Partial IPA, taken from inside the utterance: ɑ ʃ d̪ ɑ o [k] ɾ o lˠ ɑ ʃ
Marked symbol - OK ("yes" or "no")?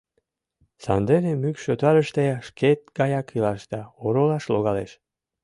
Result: no